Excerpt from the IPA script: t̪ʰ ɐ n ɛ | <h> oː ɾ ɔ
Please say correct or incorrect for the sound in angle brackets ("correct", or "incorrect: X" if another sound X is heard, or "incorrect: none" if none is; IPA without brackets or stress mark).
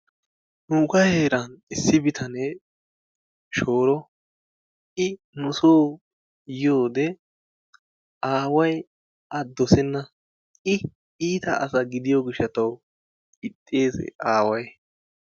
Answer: incorrect: ʃ